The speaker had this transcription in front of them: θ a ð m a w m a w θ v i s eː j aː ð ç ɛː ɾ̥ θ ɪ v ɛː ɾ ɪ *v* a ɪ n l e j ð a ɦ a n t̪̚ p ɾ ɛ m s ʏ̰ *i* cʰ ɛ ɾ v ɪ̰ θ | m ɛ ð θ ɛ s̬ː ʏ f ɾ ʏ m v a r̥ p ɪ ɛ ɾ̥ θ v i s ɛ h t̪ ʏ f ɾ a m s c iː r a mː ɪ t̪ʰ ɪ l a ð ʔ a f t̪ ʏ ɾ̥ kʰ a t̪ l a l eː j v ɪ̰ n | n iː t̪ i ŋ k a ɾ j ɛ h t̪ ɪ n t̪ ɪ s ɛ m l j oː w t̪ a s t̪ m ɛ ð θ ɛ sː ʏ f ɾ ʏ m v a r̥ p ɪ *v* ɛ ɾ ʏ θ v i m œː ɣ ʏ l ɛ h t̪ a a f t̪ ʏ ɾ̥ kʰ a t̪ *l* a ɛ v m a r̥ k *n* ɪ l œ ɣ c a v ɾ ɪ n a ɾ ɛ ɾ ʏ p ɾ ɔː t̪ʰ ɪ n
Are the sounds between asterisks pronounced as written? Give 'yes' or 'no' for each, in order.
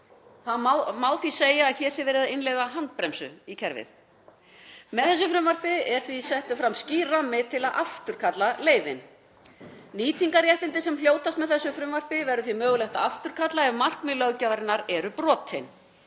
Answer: no, yes, yes, yes, no

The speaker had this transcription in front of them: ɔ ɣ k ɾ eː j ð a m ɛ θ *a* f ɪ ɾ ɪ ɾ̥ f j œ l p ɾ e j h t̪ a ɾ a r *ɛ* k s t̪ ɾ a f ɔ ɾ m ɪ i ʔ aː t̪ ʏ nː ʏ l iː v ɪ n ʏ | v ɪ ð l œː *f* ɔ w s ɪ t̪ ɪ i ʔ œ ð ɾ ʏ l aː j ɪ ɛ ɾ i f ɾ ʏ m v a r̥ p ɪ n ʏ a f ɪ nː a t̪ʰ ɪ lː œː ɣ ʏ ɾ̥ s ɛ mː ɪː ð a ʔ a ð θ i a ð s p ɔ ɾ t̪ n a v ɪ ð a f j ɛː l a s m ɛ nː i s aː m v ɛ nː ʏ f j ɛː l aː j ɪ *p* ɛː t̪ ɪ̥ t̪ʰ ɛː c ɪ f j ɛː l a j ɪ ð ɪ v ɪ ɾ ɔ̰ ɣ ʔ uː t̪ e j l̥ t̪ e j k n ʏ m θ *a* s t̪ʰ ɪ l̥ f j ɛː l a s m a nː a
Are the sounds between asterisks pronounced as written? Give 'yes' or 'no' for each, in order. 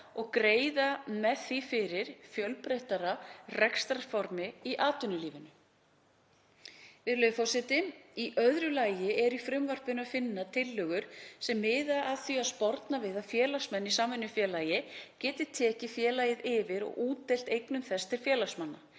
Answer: no, yes, yes, no, no

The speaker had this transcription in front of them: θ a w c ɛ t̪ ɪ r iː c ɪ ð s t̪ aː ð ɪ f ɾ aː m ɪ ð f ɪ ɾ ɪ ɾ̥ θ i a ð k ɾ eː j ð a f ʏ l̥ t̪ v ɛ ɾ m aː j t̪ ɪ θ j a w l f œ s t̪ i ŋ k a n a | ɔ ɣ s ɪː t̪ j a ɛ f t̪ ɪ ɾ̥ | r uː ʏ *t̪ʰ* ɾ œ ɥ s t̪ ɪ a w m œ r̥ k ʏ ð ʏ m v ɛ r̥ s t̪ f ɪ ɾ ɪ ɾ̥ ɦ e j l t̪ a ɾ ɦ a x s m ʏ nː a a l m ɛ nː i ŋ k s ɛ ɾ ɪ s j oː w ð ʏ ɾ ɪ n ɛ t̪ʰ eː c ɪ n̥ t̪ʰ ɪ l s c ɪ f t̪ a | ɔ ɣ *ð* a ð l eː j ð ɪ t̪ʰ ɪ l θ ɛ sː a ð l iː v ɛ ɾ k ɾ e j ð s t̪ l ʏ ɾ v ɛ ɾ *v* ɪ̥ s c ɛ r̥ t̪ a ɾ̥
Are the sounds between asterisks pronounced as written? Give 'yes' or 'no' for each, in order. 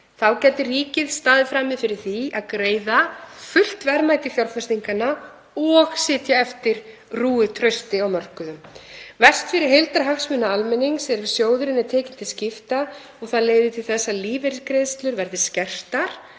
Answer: yes, no, no

